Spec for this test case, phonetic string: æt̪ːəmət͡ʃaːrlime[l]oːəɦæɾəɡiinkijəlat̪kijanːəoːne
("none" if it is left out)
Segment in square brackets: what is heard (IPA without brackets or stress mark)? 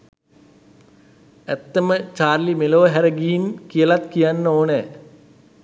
l